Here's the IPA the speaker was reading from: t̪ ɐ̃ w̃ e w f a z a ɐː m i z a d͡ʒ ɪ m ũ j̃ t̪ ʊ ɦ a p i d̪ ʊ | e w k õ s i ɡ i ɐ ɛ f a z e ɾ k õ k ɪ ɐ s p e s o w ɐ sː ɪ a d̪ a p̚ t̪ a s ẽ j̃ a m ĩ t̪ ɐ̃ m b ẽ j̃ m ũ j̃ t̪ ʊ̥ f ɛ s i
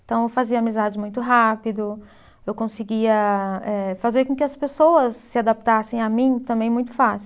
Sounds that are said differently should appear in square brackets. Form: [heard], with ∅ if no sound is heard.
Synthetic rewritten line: t̪ ɐ̃ w̃ e w f a z [i] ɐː m i z a d͡ʒ ɪ m ũ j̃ t̪ ʊ ɦ a p i d̪ ʊ | e w k õ s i ɡ i ɐ ɛ f a z e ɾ k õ k ɪ ɐ s p e s o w ɐ sː ɪ a d̪ a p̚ t̪ a s ẽ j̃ a m ĩ t̪ ɐ̃ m b ẽ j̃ m ũ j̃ t̪ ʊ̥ f [a] s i

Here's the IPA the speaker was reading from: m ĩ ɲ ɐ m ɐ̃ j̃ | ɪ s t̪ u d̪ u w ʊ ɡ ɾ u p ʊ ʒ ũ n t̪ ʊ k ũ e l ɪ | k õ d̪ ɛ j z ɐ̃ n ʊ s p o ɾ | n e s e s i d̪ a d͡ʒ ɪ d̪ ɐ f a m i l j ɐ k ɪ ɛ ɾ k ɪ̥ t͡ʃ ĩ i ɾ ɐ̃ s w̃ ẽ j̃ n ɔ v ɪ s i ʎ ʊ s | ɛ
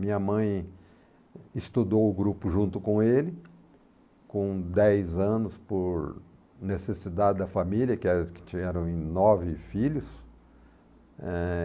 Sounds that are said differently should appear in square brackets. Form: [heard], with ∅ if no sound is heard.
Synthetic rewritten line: m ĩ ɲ ɐ m ɐ̃ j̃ | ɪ s t̪ u d̪ [o] w ʊ ɡ ɾ u p ʊ ʒ ũ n t̪ ʊ k [õ] e l ɪ | k õ d̪ ɛ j z ɐ̃ n ʊ s p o ɾ | n e s e s i d̪ a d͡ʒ ɪ d̪ ɐ f a m i l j ɐ k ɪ ɛ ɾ k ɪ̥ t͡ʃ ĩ [ɛ] ɾ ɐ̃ [∅] w̃ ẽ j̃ n ɔ v ɪ [f] i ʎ ʊ s | ɛ

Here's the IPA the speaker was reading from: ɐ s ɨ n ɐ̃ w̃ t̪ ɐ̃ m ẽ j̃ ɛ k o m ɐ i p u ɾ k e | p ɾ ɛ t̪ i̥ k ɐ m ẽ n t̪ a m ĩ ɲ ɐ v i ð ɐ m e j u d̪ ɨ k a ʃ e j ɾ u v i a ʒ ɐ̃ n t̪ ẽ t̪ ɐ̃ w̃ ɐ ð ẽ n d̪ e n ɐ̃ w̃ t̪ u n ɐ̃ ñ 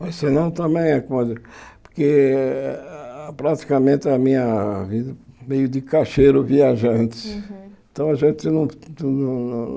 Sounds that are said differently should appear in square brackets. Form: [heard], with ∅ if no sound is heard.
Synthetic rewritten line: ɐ s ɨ n ɐ̃ w̃ t̪ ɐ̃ m ẽ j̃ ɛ k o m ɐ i p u ɾ k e | p ɾ [a] t̪ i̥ k ɐ m ẽ n t̪ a m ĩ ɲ ɐ v i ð ɐ m e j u d̪ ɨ k a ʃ e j ɾ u v i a ʒ ɐ̃ n t̪ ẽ t̪ ɐ̃ w̃ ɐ [ʒ] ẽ n [t̪] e n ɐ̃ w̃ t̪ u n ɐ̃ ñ

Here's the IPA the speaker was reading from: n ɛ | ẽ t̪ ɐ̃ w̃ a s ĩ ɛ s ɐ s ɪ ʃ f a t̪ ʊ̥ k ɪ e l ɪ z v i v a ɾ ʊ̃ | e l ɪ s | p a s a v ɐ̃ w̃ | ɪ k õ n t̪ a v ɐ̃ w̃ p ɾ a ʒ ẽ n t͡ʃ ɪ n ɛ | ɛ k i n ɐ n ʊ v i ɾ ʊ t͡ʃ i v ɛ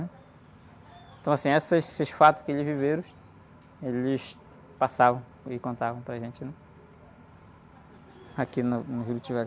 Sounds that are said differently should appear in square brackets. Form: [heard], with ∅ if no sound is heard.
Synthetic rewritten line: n ɛ | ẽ t̪ ɐ̃ w̃ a s ĩ ɛ s ɐ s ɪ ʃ f a t̪ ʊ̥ k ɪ e l ɪ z v i v [e] ɾ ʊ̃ | e l ɪ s | p a s a v ɐ̃ w̃ | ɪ k õ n t̪ a v ɐ̃ w̃ p ɾ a ʒ ẽ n t͡ʃ ɪ n ɛ | [a] k i n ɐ n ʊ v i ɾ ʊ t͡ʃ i v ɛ

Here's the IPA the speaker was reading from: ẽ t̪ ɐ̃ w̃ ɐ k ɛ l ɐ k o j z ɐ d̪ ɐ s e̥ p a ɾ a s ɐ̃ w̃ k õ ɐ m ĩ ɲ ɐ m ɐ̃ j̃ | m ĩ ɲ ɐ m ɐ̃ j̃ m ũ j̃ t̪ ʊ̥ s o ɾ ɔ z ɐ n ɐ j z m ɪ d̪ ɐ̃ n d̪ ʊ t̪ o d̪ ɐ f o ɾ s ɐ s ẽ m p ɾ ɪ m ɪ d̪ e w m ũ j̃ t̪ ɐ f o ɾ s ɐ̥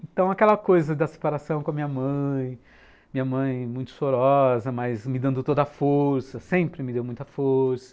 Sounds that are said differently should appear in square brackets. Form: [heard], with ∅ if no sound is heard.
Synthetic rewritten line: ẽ t̪ ɐ̃ w̃ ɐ k ɛ l ɐ k o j z ɐ d̪ ɐ s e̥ p a ɾ a s ɐ̃ w̃ k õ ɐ m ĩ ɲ ɐ m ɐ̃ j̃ | m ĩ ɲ ɐ m ɐ̃ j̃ m ũ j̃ t̪ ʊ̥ s o ɾ ɔ z ɐ [m] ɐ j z m ɪ d̪ ɐ̃ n d̪ ʊ t̪ o d̪ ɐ f o ɾ s ɐ s ẽ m p ɾ ɪ m ɪ d̪ e w m ũ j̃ t̪ ɐ f o ɾ s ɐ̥

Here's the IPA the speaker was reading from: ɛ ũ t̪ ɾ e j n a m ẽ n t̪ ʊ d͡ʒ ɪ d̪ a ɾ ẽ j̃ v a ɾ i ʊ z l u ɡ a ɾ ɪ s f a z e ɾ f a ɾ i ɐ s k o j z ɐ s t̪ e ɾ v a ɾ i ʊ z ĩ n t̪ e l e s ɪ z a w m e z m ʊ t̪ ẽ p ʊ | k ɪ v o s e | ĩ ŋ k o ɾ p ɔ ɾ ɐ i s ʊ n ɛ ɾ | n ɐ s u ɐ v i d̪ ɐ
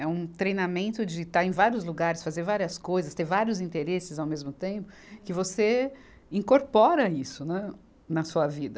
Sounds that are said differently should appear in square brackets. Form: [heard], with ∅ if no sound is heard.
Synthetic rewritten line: ɛ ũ t̪ ɾ e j n a m ẽ n t̪ ʊ d͡ʒ ɪ [t̪] a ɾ ẽ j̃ v a ɾ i ʊ z l u ɡ a ɾ ɪ s f a z e ɾ [v] a ɾ i ɐ s k o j z ɐ s t̪ e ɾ v a ɾ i ʊ z ĩ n t̪ e [ɾ] e s ɪ z a w m e z m ʊ t̪ ẽ p ʊ | k ɪ v o s e | ĩ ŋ k o ɾ p ɔ ɾ ɐ i s ʊ n ɛ [∅] | n ɐ s u ɐ v i d̪ ɐ

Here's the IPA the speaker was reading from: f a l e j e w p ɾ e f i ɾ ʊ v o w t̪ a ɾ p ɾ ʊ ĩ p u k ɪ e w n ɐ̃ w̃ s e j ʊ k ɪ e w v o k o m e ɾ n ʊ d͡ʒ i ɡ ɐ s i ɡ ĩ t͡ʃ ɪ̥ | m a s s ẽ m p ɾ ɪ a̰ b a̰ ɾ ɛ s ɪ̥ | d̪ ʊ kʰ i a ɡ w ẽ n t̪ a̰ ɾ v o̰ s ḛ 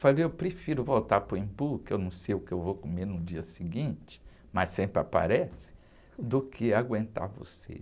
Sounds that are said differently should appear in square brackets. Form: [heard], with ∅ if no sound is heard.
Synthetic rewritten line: f a l e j e w p ɾ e f i ɾ ʊ v o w t̪ a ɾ p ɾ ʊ ĩ p u k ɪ e w n ɐ̃ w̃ s e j ʊ k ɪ e w v o k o m e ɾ n ʊ d͡ʒ i [∅] ɐ s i ɡ ĩ t͡ʃ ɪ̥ | m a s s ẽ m p ɾ ɪ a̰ [p] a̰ ɾ ɛ s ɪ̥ | d̪ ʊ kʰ [ɪ] a ɡ w ẽ n t̪ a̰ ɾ v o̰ s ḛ

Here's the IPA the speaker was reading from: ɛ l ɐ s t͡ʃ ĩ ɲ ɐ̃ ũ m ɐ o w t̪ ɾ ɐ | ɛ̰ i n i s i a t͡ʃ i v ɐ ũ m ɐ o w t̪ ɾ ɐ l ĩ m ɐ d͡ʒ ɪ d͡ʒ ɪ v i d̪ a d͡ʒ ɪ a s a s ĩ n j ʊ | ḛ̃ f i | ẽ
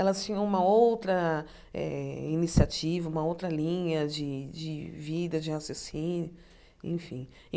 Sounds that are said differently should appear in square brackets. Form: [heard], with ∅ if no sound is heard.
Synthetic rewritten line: ɛ l ɐ s t͡ʃ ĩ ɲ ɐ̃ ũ m ɐ o w t̪ ɾ ɐ | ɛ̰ i n i s i a t͡ʃ i v ɐ ũ m ɐ o w t̪ ɾ ɐ l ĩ [ɲ] ɐ d͡ʒ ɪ d͡ʒ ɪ v i d̪ [ɐ] d͡ʒ ɪ a s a s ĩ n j ʊ | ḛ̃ f [ĩ] | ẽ

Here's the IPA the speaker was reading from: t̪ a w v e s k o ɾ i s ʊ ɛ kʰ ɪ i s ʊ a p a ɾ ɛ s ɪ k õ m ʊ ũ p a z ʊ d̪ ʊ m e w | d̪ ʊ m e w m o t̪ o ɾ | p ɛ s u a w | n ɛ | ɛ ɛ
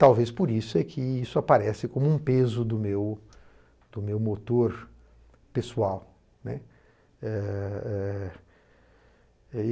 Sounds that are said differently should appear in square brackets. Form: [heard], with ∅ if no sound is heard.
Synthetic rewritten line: t̪ a w v e s [p] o ɾ i s ʊ ɛ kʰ ɪ i s ʊ a p a ɾ ɛ s ɪ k õ m ʊ ũ p [e] z ʊ d̪ ʊ m e w | d̪ ʊ m e w m o t̪ o ɾ | p [e] s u a w | n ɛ | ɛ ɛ

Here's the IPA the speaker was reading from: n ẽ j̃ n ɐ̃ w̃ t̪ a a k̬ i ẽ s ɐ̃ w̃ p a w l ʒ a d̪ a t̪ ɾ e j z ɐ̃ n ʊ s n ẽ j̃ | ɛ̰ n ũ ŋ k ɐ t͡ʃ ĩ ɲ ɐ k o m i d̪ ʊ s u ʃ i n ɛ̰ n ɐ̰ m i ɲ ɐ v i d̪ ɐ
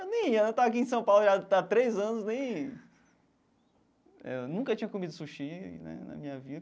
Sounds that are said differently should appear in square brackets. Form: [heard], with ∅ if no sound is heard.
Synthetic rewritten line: n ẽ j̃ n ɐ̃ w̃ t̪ a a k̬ i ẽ s ɐ̃ w̃ p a w l ʒ a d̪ a t̪ ɾ e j z ɐ̃ n ʊ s n ẽ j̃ | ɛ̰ n ũ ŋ k ɐ t͡ʃ ĩ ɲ ɐ k o m i d̪ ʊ s u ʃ i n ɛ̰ n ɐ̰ m [ĩ] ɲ ɐ v i d̪ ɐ

